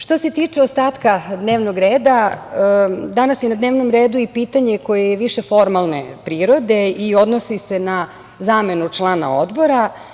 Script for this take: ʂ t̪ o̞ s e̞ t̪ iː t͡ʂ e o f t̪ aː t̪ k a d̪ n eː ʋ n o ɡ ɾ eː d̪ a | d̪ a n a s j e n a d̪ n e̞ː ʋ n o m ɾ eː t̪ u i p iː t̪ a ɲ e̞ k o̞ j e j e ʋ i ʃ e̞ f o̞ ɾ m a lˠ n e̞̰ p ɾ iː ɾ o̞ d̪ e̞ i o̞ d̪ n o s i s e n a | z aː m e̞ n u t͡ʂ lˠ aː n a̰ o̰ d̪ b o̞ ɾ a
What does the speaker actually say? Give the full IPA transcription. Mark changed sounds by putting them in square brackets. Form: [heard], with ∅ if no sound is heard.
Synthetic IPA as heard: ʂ t̪ o̞ s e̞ t̪ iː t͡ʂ e o [s] t̪ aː t̪ k a d̪ n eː ʋ n o ɡ ɾ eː d̪ a | d̪ a n a s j e n a d̪ n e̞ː ʋ n o m ɾ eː [d̪] u i p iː t̪ a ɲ e̞ k o̞ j e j e ʋ i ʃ e̞ f o̞ ɾ m a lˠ n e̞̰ p ɾ iː ɾ o̞ d̪ e̞ i o̞ d̪ n o s i s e n a | z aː m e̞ n u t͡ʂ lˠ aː n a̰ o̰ d̪ b o̞ ɾ a